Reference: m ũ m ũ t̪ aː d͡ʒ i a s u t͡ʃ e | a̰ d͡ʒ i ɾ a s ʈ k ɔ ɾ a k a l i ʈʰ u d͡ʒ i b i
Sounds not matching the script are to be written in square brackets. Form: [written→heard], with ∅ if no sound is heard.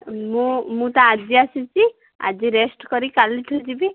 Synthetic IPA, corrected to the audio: m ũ m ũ t̪ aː d͡ʒ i a s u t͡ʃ [e→i] | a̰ d͡ʒ i ɾ [a→e] s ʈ k ɔ ɾ [a→i] k a l i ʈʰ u d͡ʒ i b i